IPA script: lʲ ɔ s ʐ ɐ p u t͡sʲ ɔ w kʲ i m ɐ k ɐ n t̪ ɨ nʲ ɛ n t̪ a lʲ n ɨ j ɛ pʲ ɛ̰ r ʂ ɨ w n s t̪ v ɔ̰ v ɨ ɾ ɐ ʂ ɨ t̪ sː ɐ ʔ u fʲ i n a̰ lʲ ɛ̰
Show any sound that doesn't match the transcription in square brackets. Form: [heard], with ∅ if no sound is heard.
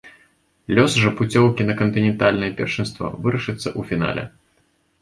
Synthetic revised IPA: lʲ ɔ s ʐ ɐ p u t͡sʲ ɔ w kʲ i [n] ɐ k ɐ n t̪ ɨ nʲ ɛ n t̪ a lʲ n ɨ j ɛ pʲ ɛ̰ r ʂ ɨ [∅] n s t̪ v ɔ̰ v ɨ ɾ ɐ ʂ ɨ t̪ sː ɐ ʔ u fʲ i n a̰ lʲ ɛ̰